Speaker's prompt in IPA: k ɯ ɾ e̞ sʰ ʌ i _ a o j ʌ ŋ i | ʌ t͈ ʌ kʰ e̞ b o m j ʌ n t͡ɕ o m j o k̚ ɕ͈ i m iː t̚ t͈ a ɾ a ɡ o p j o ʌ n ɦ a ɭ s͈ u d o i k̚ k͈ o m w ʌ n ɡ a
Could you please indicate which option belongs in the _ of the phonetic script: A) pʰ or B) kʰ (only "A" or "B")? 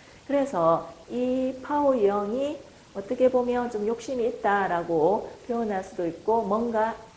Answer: A